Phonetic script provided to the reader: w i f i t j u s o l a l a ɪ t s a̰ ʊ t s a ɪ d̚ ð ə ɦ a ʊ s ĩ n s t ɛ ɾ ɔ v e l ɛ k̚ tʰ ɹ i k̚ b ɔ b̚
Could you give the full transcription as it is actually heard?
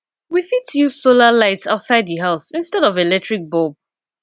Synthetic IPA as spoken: w i f i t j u s o l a l a ɪ t s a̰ ʊ t s a ɪ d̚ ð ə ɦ a ʊ s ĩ n s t ɛ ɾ ɔ v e l ɛ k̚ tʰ ɹ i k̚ b ɔ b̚

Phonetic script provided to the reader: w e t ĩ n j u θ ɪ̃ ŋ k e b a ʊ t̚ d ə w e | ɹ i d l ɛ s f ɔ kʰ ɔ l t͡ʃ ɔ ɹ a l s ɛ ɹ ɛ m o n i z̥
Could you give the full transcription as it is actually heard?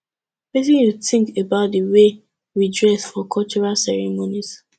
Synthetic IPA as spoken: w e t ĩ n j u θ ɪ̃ ŋ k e b a ʊ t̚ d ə w e | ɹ i d ɹ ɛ s f ɔ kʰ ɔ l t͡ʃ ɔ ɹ a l s ɛ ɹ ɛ m o n i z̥

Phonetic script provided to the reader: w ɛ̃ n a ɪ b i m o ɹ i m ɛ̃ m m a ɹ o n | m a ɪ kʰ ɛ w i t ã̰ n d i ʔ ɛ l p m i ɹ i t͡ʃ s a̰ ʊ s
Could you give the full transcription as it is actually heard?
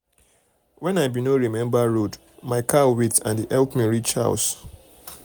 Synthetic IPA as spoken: w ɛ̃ n a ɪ b i n o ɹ i m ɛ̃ m b a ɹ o d | m a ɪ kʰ a w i t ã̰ n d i ʔ ɛ l p m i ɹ i t͡ʃ h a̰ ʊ s

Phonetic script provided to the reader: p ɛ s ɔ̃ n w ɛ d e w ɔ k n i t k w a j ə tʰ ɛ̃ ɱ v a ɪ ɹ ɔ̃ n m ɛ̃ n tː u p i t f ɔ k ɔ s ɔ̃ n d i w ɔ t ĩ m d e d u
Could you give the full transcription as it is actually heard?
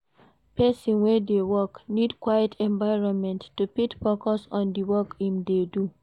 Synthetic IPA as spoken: p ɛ s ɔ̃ n w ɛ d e w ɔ k n i d k w a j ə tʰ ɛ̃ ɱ v a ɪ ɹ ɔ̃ n m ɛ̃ n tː u p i t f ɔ k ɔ s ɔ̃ n d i w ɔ k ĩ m d e d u

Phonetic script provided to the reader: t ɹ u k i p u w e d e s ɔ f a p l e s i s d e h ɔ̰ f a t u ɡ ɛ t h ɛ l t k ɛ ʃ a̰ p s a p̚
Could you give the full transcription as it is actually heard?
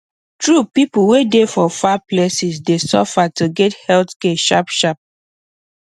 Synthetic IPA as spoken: t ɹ u p i p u w e d e f ɔ f a p l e s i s d e s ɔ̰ f a t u ɡ ɛ t h ɛ l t k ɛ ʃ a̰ p ʃ a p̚

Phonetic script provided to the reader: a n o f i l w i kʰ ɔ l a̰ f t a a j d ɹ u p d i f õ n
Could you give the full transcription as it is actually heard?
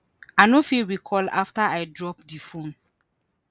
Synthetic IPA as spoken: a n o f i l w i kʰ ɔ l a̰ f t a a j d ɹ ɔ p d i f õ n

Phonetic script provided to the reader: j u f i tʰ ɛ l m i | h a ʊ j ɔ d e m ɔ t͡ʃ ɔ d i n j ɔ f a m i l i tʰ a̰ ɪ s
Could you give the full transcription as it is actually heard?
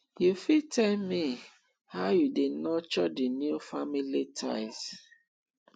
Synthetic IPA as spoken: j u f i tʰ ɛ l m i | h a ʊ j u d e n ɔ t͡ʃ ɔ d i n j u f a m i l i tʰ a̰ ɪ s

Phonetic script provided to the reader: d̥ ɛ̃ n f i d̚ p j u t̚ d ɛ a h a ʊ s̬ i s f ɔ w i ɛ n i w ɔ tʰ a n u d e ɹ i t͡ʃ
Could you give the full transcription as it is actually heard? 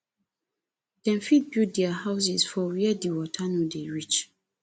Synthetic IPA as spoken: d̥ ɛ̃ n f i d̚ b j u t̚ d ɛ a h a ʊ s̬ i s f ɔ w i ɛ d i w ɔ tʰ a n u d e ɹ i t͡ʃ

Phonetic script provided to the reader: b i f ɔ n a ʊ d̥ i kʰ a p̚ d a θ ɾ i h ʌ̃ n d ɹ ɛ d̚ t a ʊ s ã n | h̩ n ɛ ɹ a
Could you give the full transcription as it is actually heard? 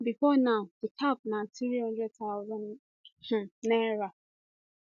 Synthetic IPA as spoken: b i f ɔ n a ʊ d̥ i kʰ a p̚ n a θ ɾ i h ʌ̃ n d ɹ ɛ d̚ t a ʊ z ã n | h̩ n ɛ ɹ a

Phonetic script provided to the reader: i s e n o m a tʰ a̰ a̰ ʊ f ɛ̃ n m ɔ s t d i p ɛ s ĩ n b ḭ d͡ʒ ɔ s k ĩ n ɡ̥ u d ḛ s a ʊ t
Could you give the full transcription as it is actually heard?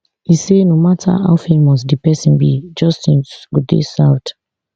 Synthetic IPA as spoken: i s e n o m a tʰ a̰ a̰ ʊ f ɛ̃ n m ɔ s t d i p ɛ s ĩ n b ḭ d͡ʒ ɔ s t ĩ n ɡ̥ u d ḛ s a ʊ t

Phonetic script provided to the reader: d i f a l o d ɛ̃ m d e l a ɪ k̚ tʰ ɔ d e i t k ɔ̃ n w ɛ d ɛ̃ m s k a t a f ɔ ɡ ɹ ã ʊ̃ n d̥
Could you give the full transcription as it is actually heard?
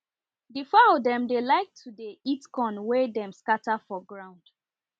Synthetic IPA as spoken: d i f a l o d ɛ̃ m d e l a ɪ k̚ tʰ u d e i t k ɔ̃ n w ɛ d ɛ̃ m s k a t a f ɔ ɡ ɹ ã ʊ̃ n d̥

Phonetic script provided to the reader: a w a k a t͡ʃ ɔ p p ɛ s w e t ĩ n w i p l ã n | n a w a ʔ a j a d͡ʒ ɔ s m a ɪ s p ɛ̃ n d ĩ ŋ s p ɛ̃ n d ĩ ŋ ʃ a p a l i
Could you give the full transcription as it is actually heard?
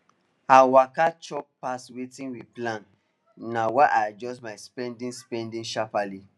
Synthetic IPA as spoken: a w a k a t͡ʃ ɔ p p a s w e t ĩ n w i p l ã n | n a w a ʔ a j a d͡ʒ ɔ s m a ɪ s p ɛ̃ n d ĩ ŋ s p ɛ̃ n d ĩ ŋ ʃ a p a l i

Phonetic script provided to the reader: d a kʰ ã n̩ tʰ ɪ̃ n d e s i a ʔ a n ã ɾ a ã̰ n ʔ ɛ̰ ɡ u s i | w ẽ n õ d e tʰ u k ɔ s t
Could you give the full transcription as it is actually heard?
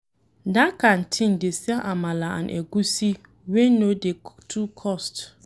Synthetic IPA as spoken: d a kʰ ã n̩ tʰ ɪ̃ n d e s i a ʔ a m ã l a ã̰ n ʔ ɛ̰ ɡ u s i | w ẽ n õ d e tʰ u kʰ ɔ s t

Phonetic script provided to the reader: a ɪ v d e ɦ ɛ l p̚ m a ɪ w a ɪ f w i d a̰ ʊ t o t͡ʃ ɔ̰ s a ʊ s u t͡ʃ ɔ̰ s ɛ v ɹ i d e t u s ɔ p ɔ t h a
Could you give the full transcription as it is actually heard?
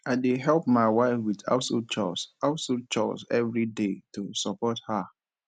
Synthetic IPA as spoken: a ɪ d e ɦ ɛ l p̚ m a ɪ w a ɪ f w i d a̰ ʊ s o t͡ʃ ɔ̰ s a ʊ s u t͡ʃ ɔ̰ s ɛ v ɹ i d e t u s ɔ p ɔ t h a

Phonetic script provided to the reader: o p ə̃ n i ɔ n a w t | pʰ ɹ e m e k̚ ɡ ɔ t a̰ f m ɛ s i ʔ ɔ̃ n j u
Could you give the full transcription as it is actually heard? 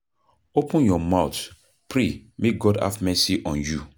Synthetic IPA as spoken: o p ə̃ n j ɔ m a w t | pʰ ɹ e m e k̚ ɡ ɔ d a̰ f m ɛ s i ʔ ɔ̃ n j u

